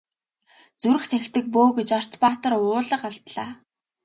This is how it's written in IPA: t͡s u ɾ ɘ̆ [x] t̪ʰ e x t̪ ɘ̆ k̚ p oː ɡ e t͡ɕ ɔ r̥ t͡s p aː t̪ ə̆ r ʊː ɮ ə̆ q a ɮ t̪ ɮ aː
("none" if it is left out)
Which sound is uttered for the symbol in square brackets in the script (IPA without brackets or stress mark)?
x